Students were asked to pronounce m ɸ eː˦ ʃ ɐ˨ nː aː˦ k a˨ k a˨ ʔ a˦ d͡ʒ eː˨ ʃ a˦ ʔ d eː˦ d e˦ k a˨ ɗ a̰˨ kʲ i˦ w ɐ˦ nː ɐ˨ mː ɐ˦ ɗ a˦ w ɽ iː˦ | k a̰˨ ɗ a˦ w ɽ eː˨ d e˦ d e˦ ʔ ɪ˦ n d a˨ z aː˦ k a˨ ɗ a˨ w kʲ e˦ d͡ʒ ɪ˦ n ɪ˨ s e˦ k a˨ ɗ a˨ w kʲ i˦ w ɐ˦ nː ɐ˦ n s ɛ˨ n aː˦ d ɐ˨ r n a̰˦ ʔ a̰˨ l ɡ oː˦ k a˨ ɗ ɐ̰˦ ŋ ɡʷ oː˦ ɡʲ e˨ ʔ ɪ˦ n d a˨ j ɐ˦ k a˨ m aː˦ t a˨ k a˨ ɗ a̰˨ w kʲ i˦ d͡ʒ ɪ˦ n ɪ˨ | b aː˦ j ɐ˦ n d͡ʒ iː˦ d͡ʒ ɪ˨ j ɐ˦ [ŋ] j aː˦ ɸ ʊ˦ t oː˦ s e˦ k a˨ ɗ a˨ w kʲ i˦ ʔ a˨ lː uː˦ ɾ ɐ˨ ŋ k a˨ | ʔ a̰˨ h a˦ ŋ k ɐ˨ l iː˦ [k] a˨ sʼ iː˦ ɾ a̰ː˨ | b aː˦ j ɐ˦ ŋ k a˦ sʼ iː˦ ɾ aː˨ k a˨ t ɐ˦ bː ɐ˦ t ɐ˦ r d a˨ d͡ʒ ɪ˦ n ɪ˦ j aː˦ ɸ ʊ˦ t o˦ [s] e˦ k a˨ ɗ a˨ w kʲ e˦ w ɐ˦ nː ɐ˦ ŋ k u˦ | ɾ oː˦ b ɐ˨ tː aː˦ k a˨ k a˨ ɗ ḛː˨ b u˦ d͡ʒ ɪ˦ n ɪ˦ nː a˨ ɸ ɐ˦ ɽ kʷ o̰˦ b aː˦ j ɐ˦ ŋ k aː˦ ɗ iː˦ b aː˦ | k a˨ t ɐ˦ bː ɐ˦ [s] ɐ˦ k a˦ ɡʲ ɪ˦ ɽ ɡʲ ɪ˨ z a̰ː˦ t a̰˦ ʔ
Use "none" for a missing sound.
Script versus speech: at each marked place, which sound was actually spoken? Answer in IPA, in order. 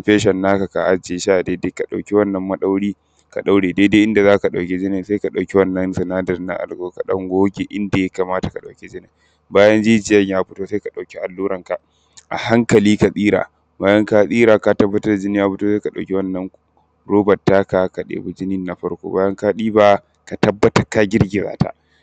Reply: ɲ, k, s, t

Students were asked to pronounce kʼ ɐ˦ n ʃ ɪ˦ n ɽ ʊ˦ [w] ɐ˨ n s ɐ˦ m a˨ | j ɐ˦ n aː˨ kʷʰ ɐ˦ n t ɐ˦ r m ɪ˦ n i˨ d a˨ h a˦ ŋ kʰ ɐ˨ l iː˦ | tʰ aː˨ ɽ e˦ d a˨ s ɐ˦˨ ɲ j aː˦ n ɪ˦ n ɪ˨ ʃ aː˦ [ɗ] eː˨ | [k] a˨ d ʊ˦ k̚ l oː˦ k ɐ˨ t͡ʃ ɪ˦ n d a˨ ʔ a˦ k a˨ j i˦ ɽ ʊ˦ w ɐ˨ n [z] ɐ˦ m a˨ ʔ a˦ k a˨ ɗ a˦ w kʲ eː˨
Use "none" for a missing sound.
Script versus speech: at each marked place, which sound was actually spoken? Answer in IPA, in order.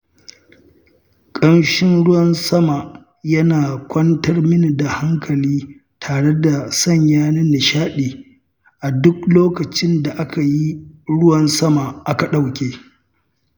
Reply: w, ɗ, ʔ, s

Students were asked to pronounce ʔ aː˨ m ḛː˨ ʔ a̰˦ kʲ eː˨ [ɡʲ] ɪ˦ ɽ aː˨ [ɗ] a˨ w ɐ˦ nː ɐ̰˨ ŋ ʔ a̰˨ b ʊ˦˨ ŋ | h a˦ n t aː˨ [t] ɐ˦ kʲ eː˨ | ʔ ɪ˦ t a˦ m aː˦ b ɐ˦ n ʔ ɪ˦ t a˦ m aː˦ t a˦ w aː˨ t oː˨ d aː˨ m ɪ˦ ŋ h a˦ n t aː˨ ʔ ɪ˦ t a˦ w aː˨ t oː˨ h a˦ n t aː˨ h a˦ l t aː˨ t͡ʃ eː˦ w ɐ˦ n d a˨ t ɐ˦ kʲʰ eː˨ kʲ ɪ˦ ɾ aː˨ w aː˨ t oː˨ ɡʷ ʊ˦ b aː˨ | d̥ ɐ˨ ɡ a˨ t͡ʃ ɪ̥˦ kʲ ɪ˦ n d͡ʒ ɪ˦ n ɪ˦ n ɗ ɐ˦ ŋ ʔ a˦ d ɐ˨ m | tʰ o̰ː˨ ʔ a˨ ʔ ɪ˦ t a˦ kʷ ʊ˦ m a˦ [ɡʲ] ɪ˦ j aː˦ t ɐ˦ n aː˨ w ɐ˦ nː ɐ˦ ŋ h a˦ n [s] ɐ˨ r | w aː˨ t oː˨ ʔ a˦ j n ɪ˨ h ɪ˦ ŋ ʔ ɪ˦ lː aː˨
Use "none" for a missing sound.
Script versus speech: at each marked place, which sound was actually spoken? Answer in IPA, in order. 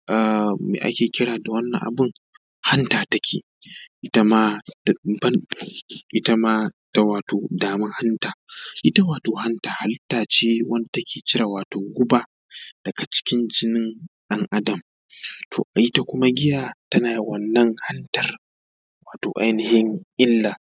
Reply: kʲ, d, t, ɡʲ, t

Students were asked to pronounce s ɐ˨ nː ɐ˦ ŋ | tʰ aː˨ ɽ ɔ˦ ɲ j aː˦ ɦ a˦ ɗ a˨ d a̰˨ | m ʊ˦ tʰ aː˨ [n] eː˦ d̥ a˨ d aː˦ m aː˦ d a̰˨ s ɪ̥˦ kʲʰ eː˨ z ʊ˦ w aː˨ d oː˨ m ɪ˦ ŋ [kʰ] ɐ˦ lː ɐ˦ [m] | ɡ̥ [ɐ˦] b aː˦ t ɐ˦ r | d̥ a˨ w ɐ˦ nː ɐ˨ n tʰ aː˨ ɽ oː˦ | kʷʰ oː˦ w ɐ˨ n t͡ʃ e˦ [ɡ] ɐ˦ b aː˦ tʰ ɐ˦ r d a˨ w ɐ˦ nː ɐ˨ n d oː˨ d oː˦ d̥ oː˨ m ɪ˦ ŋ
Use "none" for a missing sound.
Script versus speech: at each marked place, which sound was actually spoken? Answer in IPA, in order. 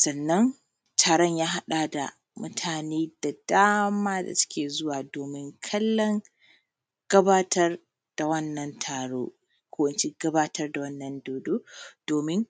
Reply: n, kʰ, ŋ, ɐ˦, ɡ

